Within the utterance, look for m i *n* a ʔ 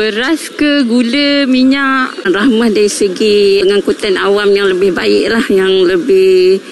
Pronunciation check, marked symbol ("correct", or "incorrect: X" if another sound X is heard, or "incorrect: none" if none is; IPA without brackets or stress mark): incorrect: ɲ